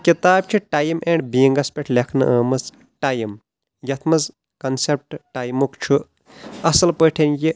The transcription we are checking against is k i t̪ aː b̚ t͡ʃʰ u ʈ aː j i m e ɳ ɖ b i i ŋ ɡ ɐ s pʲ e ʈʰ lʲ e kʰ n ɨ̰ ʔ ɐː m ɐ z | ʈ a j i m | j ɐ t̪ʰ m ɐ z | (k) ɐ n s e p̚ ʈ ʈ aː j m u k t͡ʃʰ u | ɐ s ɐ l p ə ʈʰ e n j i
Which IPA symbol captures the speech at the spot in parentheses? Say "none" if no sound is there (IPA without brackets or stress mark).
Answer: k